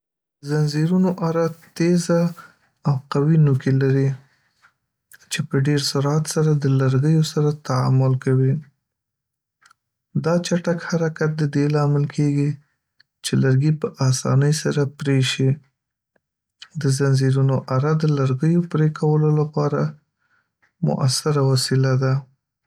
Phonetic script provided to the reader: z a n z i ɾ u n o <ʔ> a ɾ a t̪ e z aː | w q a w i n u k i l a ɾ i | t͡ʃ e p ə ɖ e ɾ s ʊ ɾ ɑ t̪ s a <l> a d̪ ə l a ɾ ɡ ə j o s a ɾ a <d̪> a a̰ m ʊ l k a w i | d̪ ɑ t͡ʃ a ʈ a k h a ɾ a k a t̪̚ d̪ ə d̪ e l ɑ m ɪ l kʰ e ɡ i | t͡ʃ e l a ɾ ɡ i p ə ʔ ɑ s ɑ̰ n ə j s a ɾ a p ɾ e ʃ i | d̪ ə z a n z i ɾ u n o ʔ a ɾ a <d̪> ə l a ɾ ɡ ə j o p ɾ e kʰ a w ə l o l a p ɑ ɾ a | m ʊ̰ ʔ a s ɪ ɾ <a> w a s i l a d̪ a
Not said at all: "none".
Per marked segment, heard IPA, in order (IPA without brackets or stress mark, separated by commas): ʔ, ɾ, t̪, d̪, a